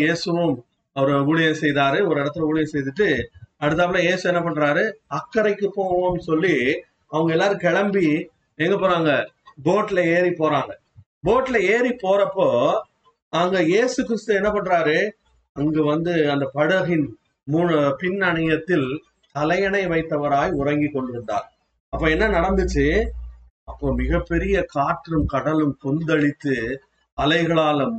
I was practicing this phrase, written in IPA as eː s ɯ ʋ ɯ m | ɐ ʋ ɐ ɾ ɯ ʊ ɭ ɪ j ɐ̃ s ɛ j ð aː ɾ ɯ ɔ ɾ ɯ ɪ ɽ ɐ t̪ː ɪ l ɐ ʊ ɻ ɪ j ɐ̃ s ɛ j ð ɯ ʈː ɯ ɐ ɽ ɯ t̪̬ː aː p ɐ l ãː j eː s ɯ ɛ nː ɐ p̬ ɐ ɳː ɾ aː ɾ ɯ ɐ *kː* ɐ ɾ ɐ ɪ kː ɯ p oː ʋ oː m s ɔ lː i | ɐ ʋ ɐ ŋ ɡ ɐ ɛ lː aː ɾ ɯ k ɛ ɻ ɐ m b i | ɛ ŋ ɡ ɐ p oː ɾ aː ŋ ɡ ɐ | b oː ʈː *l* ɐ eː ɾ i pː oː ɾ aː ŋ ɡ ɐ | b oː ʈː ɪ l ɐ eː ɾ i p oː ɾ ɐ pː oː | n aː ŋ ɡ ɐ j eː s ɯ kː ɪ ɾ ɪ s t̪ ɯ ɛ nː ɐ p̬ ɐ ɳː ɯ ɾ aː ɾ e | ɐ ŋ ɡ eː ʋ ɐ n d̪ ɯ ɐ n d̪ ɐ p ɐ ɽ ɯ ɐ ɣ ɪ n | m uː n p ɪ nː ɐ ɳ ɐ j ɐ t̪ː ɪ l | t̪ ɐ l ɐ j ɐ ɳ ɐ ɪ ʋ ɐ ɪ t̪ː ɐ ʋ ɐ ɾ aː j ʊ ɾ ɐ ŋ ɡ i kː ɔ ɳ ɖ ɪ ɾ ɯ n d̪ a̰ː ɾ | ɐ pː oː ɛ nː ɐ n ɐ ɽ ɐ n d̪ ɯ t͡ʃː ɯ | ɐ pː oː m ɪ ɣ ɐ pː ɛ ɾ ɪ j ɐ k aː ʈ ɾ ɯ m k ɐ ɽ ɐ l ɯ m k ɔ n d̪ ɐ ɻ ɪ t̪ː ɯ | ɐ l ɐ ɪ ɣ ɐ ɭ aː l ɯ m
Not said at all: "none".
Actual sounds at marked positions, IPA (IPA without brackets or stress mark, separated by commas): kː, l